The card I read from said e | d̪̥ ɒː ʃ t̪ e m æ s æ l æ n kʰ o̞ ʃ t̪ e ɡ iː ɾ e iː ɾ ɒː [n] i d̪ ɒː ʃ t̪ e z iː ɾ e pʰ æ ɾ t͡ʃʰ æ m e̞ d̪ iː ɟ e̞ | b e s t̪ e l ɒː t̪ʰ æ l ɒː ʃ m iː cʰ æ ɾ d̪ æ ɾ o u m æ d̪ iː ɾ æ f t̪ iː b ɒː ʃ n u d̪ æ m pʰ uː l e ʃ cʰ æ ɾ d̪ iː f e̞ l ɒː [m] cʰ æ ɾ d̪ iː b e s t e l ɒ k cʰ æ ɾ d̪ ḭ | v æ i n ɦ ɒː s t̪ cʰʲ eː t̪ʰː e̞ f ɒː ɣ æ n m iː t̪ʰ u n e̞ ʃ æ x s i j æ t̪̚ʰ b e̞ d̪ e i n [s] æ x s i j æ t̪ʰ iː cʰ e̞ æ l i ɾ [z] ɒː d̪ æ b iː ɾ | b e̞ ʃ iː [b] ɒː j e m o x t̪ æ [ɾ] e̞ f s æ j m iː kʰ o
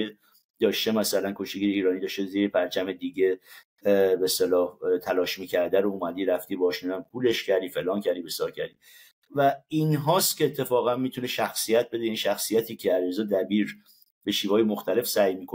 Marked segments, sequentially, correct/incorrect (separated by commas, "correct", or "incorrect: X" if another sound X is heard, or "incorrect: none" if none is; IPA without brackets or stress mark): correct, incorrect: n, incorrect: ʃ, correct, incorrect: v, incorrect: l